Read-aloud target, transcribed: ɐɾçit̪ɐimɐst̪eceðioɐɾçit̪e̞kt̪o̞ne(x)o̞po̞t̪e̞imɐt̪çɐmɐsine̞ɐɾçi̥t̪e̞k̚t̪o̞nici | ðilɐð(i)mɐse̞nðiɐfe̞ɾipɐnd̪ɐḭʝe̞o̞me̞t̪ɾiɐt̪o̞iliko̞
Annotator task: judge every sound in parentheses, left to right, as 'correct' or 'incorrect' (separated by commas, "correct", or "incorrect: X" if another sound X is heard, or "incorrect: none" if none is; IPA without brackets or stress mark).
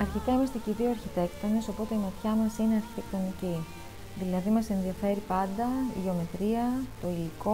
incorrect: s, correct